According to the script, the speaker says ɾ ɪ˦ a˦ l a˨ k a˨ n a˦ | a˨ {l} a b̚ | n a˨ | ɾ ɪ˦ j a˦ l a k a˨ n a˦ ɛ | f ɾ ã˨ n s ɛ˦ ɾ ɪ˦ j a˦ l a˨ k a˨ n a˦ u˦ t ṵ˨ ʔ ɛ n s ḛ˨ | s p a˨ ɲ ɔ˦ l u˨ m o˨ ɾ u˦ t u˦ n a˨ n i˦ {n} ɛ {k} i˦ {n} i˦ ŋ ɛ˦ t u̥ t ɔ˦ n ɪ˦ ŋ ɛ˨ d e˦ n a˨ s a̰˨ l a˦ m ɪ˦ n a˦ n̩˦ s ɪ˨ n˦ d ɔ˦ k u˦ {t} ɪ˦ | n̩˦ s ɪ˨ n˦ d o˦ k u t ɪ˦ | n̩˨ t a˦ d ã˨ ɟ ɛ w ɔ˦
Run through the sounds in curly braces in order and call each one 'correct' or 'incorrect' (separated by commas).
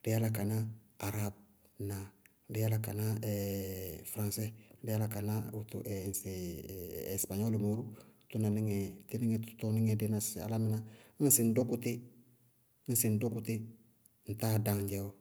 incorrect, incorrect, incorrect, correct, correct